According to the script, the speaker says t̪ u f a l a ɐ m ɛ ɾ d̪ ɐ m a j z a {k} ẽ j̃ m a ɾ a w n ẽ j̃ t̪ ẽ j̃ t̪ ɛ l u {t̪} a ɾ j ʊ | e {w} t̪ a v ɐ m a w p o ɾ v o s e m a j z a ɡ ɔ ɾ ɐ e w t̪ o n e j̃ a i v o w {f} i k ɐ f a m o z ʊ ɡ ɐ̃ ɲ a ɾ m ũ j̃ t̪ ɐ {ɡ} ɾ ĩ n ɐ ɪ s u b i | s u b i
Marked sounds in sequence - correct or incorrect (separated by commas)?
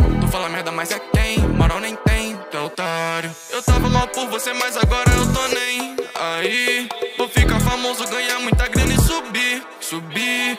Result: correct, correct, correct, correct, correct